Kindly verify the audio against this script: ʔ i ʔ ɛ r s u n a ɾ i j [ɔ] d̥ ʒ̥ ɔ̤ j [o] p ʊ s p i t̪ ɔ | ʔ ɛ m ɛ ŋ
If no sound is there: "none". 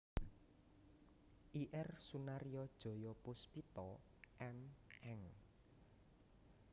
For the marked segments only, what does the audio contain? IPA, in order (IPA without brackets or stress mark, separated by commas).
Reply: ɔ, ɔ